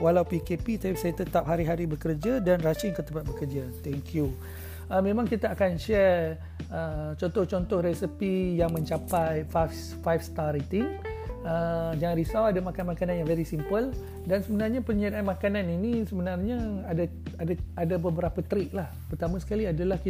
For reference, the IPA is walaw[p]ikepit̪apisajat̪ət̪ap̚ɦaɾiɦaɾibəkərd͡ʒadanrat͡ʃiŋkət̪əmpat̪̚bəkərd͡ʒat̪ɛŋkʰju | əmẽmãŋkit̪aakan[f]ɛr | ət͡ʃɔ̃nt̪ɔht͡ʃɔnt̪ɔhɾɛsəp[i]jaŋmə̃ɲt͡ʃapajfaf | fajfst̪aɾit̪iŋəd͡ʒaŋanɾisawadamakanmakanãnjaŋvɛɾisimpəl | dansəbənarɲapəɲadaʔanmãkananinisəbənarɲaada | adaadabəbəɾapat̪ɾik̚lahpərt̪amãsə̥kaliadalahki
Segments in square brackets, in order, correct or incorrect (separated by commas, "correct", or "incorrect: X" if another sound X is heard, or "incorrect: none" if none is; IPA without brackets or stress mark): correct, incorrect: ʃ, correct